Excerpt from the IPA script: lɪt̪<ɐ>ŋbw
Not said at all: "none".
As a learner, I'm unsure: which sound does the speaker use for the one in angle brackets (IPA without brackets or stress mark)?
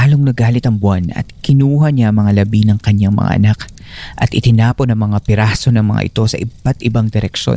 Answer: ɐ